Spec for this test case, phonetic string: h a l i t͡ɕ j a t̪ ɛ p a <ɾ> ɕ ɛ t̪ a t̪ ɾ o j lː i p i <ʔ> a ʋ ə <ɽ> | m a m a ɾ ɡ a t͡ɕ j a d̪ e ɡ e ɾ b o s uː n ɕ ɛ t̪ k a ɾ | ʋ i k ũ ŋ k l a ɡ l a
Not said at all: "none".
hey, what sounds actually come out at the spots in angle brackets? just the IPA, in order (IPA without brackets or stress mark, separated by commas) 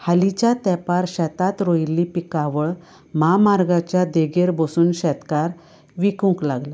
ɾ, k, ɭ